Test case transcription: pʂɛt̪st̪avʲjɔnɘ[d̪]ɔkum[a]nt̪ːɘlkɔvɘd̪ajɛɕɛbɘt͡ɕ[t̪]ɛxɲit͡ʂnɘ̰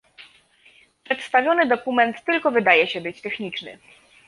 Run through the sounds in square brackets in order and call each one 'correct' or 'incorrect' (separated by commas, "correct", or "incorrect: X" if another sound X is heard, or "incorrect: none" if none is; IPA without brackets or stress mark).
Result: correct, incorrect: ɛ, correct